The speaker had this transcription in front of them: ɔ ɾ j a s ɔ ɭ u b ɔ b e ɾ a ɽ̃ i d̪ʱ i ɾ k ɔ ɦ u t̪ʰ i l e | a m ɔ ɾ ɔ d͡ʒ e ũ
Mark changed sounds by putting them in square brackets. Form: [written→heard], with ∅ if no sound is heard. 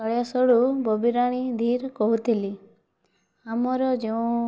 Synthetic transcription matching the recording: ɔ [ɾ→ɭ] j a s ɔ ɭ u b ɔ b [e→i] ɾ a ɽ̃ i d̪ʱ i ɾ k ɔ ɦ u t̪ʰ i l [e→i] | a m ɔ ɾ ɔ d͡ʒ e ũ